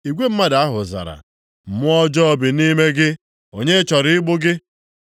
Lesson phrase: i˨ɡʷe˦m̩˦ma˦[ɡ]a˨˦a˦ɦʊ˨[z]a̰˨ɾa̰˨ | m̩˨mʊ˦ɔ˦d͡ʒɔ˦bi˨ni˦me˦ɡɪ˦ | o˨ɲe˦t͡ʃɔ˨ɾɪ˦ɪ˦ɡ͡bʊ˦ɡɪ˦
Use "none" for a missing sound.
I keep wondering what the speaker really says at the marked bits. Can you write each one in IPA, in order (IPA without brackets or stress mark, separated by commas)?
d, z